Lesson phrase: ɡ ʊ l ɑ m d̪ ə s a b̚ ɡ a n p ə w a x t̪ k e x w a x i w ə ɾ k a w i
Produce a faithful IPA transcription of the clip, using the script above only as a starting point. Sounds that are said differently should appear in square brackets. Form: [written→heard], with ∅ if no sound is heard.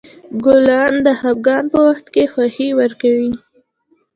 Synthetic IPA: ɡ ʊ l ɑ [m→n] d̪ ə [s→h] a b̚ ɡ [a→ɑ] n p ə w a x t̪ k e x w a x i w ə ɾ k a w i